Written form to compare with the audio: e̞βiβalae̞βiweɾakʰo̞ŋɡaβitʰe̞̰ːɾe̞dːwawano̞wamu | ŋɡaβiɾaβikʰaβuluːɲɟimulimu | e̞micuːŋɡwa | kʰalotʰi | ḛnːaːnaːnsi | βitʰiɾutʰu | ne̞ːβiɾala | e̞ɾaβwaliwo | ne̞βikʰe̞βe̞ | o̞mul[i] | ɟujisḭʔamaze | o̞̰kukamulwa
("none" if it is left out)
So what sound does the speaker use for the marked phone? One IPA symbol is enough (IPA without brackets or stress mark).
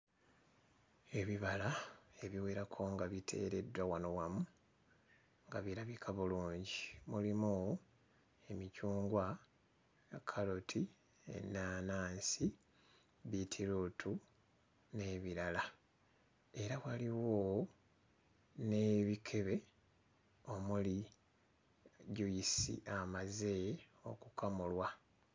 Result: i